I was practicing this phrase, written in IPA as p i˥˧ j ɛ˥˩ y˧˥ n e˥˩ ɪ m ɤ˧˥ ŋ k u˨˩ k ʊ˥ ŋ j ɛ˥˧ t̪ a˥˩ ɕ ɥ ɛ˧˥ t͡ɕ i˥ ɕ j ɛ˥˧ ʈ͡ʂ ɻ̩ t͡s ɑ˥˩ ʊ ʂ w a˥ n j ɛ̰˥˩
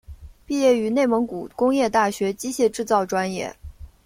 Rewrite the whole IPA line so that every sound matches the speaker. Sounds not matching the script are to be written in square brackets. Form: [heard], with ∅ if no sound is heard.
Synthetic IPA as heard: p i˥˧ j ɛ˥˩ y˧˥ n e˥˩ ɪ m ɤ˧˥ ŋ k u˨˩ k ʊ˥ ŋ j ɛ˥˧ t̪ a˥˩ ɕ ɥ ɛ˧˥ t͡ɕ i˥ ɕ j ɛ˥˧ ʈ͡ʂ ɻ̩ t͡s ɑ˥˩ ʊ [ʈ͡ʂ] w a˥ n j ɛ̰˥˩